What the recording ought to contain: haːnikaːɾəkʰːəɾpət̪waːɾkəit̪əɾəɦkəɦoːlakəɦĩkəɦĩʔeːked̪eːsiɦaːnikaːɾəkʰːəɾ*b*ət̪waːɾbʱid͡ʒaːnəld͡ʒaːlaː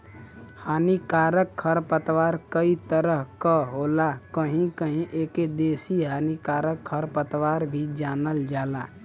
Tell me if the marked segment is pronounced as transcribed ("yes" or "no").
no